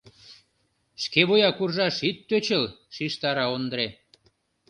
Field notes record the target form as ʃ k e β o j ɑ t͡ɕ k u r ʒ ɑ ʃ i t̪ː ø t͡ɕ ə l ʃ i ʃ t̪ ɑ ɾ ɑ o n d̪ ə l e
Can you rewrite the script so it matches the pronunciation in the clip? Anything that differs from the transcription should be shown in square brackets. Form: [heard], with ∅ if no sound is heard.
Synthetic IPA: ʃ k e β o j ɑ [∅] k u r ʒ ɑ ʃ i t̪ː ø t͡ɕ ə l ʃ i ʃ t̪ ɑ ɾ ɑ o n d̪ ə [ɾ] e